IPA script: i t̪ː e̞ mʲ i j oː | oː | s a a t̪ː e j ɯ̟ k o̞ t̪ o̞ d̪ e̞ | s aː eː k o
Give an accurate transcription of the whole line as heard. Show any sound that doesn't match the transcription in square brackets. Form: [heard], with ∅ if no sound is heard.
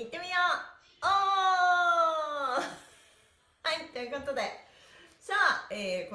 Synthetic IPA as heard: i t̪ː e̞ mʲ i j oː | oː | [h] a [i] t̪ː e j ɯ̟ k o̞ t̪ o̞ d̪ e̞ | s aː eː k o